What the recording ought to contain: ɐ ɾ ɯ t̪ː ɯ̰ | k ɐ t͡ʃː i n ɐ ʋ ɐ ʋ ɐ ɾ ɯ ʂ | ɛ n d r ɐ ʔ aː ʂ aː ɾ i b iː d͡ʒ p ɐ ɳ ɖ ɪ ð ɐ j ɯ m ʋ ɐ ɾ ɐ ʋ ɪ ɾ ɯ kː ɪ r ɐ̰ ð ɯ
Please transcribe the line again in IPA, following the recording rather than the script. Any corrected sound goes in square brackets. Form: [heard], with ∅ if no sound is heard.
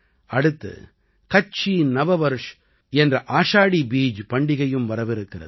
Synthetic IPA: ɐ [ɽ] ɯ t̪ː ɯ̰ | k ɐ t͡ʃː i n ɐ ʋ ɐ ʋ ɐ ɾ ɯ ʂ | ɛ n d r ɐ ʔ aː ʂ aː [ɽ] i b iː d͡ʒ p ɐ ɳ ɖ ɪ [ɣ] ɐ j ɯ m ʋ ɐ ɾ ɐ ʋ ɪ ɾ ɯ kː ɪ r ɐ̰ ð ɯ

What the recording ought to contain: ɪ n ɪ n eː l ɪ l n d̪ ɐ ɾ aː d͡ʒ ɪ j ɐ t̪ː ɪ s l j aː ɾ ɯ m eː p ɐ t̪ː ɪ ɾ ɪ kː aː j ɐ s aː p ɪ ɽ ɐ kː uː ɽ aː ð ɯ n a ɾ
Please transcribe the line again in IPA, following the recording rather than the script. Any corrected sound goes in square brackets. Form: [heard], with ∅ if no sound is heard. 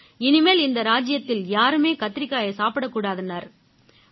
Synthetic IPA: ɪ n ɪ [m] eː l ɪ [∅] n d̪ ɐ ɾ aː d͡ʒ ɪ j ɐ t̪ː ɪ [∅] l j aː ɾ ɯ m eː [k] ɐ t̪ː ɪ ɾ ɪ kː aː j ɐ s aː p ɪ ɽ ɐ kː uː ɽ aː ð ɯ n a ɾ

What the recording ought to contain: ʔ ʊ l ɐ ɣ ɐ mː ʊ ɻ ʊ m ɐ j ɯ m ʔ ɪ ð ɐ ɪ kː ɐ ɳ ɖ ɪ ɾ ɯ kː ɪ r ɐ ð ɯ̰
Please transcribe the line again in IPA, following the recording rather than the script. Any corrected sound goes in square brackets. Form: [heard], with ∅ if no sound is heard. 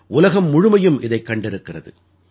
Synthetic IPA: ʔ ʊ l ɐ ɣ ɐ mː ʊ ɻ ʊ m ɐ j ɯ m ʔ ɪ ð ɐ ɪ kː ɐ ɳ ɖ ɪ ɾ ɯ kː ɪ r ɐ ð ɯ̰

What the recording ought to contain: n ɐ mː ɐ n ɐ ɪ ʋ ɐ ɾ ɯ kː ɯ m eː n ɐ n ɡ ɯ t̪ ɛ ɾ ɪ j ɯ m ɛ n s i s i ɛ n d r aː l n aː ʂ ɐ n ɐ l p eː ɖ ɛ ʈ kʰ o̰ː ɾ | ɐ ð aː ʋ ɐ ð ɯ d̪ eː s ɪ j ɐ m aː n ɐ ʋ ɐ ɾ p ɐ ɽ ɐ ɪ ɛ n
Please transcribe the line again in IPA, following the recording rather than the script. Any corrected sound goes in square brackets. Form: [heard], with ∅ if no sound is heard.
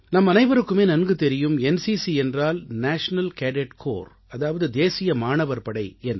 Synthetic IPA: n ɐ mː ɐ n ɐ ɪ ʋ ɐ ɾ ɯ kː ɯ m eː n ɐ n ɡ ɯ t̪ ɛ ɾ ɪ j ɯ m ɛ n s i s i ɛ n d r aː l n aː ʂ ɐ n ɐ l [k] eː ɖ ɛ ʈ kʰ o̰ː ɾ | ɐ ð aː ʋ ɐ ð ɯ d̪ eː s ɪ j ɐ m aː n ɐ ʋ ɐ ɾ p ɐ ɽ ɐ ɪ ɛ n

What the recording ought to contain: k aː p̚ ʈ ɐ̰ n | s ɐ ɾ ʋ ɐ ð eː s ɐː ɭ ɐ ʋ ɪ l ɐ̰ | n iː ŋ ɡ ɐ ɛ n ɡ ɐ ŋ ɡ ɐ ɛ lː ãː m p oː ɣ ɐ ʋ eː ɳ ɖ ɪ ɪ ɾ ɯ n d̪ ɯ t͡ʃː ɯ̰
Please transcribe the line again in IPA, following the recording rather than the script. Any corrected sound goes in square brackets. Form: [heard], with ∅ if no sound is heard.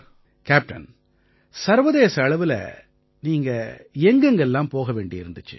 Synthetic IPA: k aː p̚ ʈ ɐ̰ n | s ɐ ɾ ʋ ɐ ð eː s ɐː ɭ ɐ ʋ ɪ l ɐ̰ | n iː ŋ ɡ ɐ ɛ [ŋ] ɡ ɐ ŋ ɡ ɐ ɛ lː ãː m p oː ɣ ɐ ʋ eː ɳ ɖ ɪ ɪ ɾ ɯ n d̪ ɯ t͡ʃː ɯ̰

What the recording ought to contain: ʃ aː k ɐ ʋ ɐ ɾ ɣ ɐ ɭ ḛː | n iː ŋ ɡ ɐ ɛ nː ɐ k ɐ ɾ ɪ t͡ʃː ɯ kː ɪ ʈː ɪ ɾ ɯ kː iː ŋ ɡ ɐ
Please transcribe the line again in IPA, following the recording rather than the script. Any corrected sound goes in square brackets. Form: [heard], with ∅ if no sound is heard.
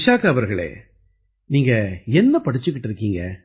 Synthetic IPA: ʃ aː k ɐ ʋ ɐ ɾ ɣ ɐ ɭ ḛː | n iː ŋ ɡ ɐ ɛ nː ɐ [p] ɐ [ɽ] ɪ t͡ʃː ɯ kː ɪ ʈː ɪ ɾ ɯ kː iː ŋ ɡ ɐ

